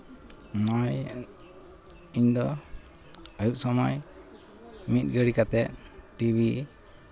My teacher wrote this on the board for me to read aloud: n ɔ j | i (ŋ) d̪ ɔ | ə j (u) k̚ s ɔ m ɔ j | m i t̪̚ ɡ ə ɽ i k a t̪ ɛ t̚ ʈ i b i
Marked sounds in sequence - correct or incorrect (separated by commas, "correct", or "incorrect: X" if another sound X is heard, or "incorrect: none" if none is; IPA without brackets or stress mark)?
incorrect: ɲ, correct